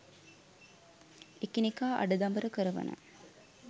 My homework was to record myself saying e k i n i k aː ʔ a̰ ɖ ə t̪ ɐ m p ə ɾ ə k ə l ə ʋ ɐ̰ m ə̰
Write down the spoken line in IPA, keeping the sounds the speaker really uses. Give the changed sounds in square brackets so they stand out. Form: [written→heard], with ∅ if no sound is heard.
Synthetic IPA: e k i n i k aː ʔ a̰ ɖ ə [t̪→d̪] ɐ m [p→b] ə ɾ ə k ə [l→ɾ] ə ʋ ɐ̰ [m→n] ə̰